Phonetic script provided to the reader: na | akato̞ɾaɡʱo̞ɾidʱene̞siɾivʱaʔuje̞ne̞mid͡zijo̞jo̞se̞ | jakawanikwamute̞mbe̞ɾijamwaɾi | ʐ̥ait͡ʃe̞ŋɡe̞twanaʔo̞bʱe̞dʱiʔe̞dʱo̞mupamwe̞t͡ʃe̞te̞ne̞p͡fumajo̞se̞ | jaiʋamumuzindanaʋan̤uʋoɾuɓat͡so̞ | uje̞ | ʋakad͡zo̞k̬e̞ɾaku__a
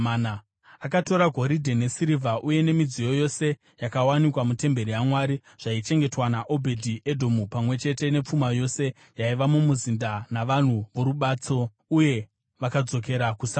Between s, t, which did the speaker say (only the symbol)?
s